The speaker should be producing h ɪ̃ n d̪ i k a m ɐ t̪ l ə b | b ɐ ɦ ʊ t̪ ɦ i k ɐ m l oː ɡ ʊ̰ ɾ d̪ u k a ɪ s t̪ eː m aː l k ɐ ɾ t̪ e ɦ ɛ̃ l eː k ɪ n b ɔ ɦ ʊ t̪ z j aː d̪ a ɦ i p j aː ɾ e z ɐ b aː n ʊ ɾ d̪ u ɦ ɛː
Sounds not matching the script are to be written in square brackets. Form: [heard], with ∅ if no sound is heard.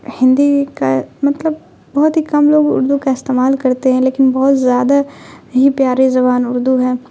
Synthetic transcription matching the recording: h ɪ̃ n d̪ i k a m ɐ t̪ l ə b | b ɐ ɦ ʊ t̪ ɦ i k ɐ m l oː ɡ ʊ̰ ɾ d̪ u k a ɪ s t̪ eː m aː l k ɐ ɾ t̪ e ɦ ɛ̃ l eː k ɪ n b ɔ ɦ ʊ t̪ z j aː d̪ a ɦ i p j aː ɾ e z ɐ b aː n ʊ ɾ d̪ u ɦ ɛː